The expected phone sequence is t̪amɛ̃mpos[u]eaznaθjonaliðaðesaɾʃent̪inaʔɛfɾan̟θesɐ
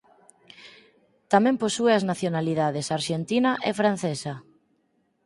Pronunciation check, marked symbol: correct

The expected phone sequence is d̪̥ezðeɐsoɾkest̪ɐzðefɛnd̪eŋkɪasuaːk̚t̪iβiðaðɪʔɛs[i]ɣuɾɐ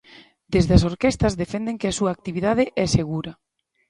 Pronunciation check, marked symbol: incorrect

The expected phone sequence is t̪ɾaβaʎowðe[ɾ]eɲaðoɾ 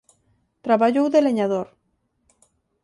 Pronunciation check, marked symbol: incorrect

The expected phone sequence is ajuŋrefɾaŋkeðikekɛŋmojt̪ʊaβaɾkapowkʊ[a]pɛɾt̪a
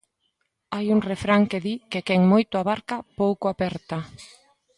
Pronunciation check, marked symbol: correct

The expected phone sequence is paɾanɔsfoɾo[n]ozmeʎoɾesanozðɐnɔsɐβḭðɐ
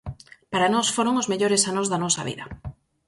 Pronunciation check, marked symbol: incorrect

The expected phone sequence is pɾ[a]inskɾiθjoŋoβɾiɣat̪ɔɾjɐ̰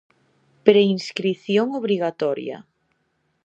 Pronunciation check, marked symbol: incorrect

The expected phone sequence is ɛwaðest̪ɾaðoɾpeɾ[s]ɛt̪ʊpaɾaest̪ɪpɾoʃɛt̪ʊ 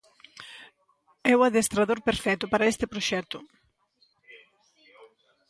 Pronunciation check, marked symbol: incorrect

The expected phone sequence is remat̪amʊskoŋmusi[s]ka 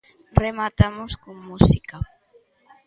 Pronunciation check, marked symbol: incorrect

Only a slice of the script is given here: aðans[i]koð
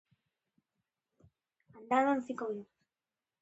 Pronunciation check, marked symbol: correct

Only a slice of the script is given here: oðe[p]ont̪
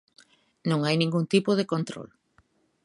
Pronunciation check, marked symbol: incorrect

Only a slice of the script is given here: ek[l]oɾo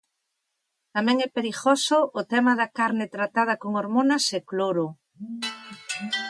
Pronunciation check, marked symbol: correct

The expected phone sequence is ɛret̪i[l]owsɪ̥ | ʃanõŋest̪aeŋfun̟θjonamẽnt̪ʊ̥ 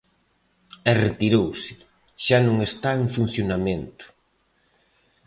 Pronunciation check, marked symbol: incorrect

